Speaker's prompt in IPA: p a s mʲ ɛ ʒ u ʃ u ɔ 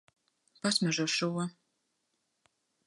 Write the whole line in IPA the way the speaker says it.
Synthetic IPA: p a s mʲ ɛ ʒ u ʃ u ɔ